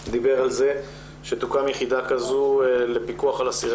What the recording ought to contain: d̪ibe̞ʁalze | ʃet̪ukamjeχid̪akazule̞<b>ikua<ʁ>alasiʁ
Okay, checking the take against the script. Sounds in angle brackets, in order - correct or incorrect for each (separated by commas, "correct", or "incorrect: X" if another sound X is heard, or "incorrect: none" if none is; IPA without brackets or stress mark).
incorrect: p, incorrect: χ